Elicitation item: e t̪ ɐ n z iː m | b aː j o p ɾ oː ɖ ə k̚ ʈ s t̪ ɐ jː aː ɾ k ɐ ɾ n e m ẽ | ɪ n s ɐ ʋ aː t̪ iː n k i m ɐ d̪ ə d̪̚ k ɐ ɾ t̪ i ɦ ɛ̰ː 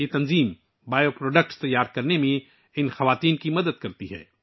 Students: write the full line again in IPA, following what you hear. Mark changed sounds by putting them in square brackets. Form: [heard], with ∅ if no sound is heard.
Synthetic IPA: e t̪ ɐ n z iː m | b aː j o p ɾ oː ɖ ə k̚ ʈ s t̪ ɐ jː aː ɾ k ɐ ɾ n e m ẽ | ɪ n [x] ɐ ʋ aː t̪ iː n k i m ɐ d̪ ə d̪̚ k ɐ ɾ t̪ i ɦ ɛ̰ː